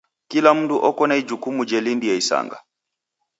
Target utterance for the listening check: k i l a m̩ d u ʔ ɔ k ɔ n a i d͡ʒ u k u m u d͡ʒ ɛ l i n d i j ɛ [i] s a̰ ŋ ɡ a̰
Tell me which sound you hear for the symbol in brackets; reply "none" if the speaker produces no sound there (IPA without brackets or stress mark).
i